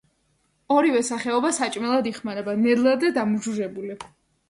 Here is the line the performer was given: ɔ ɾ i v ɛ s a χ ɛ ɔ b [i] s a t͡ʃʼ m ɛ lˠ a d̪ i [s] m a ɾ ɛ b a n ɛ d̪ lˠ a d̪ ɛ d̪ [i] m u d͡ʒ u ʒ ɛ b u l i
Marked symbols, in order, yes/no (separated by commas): no, no, no